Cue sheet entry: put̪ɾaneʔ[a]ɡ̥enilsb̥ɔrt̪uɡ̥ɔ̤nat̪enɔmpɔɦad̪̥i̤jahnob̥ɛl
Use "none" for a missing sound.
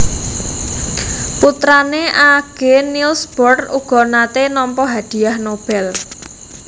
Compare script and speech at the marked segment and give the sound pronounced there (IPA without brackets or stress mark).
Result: a